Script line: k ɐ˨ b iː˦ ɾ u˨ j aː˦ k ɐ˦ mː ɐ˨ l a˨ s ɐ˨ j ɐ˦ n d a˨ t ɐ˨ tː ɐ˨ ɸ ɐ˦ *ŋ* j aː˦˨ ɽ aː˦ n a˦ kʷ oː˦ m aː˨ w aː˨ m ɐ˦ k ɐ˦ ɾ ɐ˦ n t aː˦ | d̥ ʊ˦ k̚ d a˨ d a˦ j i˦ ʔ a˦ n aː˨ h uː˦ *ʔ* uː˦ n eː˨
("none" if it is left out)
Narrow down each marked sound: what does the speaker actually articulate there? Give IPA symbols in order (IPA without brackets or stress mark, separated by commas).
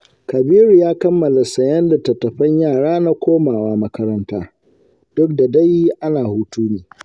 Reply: ɲ, t